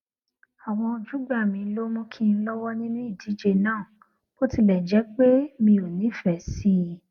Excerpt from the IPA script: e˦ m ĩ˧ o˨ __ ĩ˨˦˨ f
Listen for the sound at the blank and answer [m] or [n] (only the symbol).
n